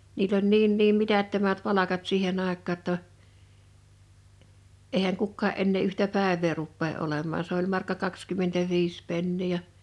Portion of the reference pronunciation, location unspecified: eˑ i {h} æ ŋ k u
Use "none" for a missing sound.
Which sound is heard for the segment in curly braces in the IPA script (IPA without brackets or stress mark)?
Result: h